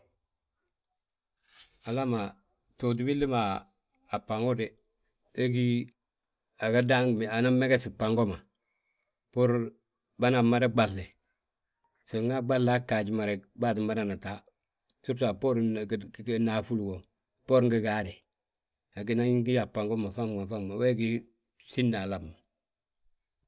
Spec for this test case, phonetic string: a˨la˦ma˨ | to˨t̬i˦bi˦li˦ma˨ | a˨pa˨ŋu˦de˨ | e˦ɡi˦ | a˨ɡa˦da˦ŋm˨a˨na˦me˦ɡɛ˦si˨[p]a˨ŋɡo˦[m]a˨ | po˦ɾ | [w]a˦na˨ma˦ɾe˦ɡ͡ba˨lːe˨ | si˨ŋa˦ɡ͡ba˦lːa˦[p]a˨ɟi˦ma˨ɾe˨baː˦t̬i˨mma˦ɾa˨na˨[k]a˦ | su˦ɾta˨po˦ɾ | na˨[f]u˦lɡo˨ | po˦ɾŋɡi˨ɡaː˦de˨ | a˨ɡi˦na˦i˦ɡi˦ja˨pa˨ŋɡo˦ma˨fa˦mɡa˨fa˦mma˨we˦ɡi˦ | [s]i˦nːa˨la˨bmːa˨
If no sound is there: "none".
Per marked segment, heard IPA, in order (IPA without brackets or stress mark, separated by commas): p, m, b, k, t, f, s